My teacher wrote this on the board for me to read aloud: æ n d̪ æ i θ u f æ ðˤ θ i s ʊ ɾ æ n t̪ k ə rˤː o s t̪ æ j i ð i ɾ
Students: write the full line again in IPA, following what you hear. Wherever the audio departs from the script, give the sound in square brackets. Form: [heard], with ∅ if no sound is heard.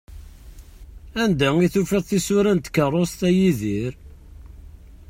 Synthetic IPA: æ n d̪ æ i θ u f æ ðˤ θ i s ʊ ɾ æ n t̪ k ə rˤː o s t̪ æ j i ð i ɾ